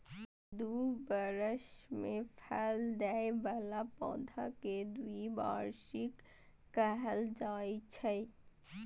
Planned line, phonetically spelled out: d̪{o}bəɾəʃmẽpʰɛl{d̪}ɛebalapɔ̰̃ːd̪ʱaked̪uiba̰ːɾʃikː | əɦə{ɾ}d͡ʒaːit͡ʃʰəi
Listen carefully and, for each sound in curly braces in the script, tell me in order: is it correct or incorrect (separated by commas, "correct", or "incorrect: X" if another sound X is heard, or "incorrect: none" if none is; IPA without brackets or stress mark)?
incorrect: u, correct, incorrect: l